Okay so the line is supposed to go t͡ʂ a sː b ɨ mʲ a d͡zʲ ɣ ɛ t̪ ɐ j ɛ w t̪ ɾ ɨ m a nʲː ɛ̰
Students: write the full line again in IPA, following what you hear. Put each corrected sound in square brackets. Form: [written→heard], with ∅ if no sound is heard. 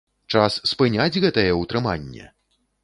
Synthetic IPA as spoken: t͡ʂ a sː [b→p] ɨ [mʲ→nʲ] a d͡zʲ ɣ ɛ t̪ ɐ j ɛ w t̪ ɾ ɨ m a nʲː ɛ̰